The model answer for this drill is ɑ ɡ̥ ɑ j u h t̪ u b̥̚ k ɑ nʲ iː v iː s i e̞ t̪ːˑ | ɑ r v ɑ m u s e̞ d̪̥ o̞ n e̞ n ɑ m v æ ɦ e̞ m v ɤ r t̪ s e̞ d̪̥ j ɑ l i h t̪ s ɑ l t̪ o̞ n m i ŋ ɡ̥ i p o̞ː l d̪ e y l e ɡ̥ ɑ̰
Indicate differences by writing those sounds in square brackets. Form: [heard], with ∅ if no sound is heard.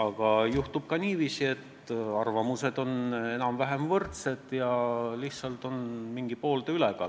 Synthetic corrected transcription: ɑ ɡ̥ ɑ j u h t̪ u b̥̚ k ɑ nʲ iː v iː s i e̞ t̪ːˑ | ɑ r v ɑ m u s e̞ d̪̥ o̞ n e̞ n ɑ m v æ ɦ e̞ m v ɤ r t̪ s e̞ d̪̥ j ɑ l i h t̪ s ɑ l t̪ o̞ n m i ŋ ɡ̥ i p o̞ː l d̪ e y l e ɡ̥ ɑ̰

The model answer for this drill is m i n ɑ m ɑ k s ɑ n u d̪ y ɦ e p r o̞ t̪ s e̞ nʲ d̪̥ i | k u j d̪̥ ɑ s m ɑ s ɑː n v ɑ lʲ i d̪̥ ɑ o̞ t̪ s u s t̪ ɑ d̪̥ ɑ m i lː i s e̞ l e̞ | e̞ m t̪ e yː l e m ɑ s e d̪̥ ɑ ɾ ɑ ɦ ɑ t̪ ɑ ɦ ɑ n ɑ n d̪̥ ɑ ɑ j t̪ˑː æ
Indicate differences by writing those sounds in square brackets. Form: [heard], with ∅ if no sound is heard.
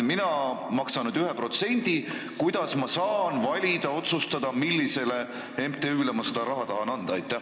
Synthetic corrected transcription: m i n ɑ m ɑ k s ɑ n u d̪ y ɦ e p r o̞ t̪ s e̞ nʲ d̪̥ i | k u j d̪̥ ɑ s m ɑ s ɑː n v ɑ lʲ i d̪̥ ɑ o̞ t̪ s u s t̪ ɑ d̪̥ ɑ m i lː i s e̞ l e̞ | e̞ m t̪ e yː l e m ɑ s e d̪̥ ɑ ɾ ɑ ɦ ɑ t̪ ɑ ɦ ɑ n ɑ n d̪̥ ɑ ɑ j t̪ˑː æ

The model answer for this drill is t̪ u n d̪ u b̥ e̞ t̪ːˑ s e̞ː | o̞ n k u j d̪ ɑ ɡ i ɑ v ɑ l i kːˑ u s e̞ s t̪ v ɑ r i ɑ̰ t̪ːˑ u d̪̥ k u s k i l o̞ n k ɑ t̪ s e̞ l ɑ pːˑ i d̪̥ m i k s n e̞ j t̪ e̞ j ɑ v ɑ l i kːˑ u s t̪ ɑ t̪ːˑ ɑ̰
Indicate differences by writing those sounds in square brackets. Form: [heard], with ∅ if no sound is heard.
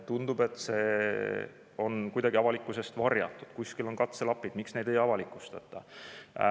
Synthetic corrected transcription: t̪ u n d̪ u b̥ e̞ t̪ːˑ s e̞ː | o̞ n k u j d̪ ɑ ɡ i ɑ v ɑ l i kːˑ u s e̞ s t̪ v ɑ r [j] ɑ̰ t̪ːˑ u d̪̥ k u s k i l o̞ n k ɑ t̪ s e̞ l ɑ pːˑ i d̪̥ m i k s n e̞ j [d̪] e̞ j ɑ v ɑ l i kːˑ u s t̪ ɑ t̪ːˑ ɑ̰

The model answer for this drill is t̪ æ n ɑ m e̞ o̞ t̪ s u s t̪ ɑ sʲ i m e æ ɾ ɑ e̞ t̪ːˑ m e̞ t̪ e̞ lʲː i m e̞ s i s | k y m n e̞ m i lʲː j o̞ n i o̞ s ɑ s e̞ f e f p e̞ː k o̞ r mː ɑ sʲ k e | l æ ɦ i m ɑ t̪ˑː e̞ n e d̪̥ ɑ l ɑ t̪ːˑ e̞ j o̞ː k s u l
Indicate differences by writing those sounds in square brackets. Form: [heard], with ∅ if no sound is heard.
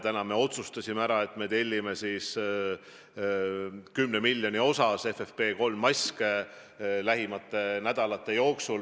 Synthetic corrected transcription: t̪ æ n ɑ m e̞ o̞ t̪ s u s t̪ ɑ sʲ i m e æ ɾ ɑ e̞ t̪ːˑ m e̞ t̪ e̞ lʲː i m e̞ s i s | k y m n e̞ m i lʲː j o̞ n i o̞ s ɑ s e̞ f e f p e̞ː k o̞ [l] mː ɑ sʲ k e | l æ ɦ i m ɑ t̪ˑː e̞ n [æ] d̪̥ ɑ l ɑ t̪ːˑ e̞ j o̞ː k s u l

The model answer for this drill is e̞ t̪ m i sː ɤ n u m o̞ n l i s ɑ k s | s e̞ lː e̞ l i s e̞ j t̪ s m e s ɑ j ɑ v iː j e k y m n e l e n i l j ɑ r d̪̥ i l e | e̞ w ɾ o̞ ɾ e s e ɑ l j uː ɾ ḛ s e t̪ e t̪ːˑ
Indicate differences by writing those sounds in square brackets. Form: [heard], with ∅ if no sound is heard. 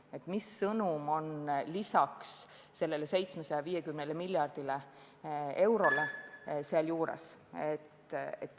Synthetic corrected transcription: e̞ t̪ m i sː ɤ n u m o̞ n l i s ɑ k s | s e̞ lː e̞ l [e] s e̞ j t̪ s m e s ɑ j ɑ v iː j e k y m n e l e [m] i l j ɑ r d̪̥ i l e | e̞ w ɾ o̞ [l] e s e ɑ l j uː ɾ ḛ s e t̪ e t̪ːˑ

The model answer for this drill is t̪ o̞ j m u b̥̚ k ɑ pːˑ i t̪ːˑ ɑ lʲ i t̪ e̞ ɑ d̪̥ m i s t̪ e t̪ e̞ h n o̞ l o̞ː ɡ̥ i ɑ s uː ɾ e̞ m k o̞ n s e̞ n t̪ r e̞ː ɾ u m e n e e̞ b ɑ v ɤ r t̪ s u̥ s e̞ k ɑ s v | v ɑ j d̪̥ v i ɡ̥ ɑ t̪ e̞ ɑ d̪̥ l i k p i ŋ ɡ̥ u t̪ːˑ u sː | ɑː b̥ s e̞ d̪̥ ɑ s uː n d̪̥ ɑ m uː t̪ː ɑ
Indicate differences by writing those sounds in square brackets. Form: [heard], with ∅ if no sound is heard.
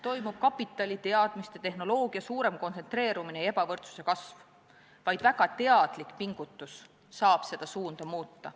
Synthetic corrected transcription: t̪ o̞ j m u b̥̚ k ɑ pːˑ i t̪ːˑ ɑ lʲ i t̪ e̞ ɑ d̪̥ m i s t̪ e t̪ e̞ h n o̞ l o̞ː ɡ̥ i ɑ s uː ɾ e̞ m k o̞ n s e̞ n t̪ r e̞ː ɾ u m [i] n e e̞ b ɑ v ɤ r t̪ s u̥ s e̞ k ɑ s v | v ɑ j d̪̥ v [æ] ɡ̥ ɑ t̪ e̞ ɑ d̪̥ l i k p i ŋ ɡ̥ u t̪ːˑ u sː | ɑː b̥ s e̞ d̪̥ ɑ s uː n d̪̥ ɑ m uː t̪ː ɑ

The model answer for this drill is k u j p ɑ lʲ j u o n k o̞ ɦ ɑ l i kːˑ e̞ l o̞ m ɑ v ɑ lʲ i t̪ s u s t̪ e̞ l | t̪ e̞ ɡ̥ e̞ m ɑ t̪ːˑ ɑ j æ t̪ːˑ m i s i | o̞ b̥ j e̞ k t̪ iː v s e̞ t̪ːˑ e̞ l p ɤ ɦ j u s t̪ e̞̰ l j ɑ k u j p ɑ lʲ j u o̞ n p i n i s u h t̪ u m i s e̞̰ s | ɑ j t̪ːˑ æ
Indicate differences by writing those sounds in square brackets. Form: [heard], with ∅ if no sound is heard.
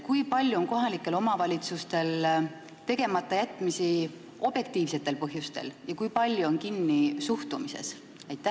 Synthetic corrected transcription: k u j p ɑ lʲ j u o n k o̞ ɦ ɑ l i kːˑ e̞ l o̞ m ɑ v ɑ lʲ i t̪ s u s t̪ e̞ l | t̪ e̞ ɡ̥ e̞ m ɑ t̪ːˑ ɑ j æ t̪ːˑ m i s i | o̞ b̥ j e̞ k t̪ iː v s e̞ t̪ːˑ e̞ l p ɤ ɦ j u s t̪ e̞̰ l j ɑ k u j p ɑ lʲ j u o̞ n [k] i [nː] i s u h t̪ u m i s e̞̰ s | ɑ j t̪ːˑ æ

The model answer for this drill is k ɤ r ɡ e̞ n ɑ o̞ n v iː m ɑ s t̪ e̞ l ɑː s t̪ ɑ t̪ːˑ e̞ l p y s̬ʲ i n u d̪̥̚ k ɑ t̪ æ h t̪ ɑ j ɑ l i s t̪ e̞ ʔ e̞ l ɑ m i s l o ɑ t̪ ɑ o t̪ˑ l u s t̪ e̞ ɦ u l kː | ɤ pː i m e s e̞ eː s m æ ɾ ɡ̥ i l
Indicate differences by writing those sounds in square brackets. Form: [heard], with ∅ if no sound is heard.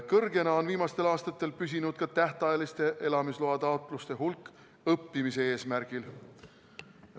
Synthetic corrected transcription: k ɤ r ɡ e̞ n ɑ o̞ n v iː m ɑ s t̪ e̞ l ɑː s t̪ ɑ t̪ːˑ e̞ l p y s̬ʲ i n u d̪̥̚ k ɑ t̪ æ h t̪ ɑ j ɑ l i s t̪ e̞ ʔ e̞ l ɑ m i s l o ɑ t̪ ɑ o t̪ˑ l u s t̪ e̞ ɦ u l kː | ɤ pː i m [i] s e̞ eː s m æ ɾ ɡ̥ i l

